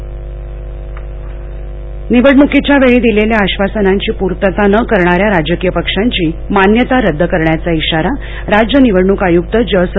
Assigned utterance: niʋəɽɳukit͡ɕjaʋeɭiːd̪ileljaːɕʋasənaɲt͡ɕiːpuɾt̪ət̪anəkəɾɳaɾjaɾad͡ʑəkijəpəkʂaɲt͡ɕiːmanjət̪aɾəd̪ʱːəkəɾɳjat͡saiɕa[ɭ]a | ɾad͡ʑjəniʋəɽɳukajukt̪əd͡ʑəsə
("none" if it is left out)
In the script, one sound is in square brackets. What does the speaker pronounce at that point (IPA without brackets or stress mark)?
ɾ